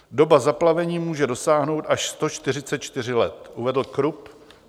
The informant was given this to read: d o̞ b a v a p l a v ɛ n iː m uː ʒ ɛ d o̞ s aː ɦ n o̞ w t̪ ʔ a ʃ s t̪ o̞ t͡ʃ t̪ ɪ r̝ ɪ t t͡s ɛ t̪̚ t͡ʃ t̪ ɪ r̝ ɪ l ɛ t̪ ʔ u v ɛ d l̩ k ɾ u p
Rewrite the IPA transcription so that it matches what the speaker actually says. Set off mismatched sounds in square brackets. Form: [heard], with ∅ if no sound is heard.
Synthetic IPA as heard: d o̞ b a [z] a p l a v ɛ [ɲ] iː m uː ʒ ɛ d o̞ s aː ɦ n o̞ w t̪ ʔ a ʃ s t̪ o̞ t͡ʃ t̪ ɪ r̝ ɪ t t͡s ɛ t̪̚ t͡ʃ t̪ ɪ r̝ ɪ l ɛ t̪ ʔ u v ɛ d l̩ k ɾ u p